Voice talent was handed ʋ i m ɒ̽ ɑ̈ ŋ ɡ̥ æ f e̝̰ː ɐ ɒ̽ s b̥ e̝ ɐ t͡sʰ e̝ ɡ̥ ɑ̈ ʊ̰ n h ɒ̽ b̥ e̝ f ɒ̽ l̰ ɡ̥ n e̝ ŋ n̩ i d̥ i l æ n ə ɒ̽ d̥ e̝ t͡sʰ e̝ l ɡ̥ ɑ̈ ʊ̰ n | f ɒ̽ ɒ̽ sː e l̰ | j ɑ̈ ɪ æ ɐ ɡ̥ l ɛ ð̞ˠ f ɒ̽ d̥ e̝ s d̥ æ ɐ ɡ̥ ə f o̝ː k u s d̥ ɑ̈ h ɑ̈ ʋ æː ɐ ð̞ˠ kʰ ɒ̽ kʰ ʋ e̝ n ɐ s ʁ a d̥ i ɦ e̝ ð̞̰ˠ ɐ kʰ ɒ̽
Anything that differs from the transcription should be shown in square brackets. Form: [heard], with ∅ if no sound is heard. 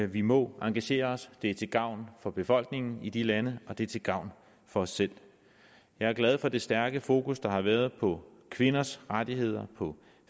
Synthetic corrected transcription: ʋ i m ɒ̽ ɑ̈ ŋ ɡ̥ æ [ɕ] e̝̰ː ɐ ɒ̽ s [d̥] e̝ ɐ t͡sʰ e̝ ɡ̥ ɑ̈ ʊ̰ n [f] ɒ̽ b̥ e̝ f ɒ̽ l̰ ɡ̥ n e̝ ŋ n̩ i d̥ i l æ n ə ɒ̽ d̥ e̝ t͡sʰ e̝ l ɡ̥ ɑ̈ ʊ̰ n | f ɒ̽ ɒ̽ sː e l̰ | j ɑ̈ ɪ æ ɐ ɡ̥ l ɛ ð̞ˠ f ɒ̽ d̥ e̝ s d̥ æ ɐ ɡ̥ ə f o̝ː k u s d̥ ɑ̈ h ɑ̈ ʋ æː ɐ ð̞ˠ [pʰ] ɒ̽ kʰ ʋ e̝ n ɐ s ʁ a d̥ i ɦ e̝ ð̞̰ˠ ɐ [pʰ] ɒ̽